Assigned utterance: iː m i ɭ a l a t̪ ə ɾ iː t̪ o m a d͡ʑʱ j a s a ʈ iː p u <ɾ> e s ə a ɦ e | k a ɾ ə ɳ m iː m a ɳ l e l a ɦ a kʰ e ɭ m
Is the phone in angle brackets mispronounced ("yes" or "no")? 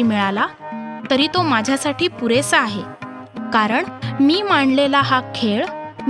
no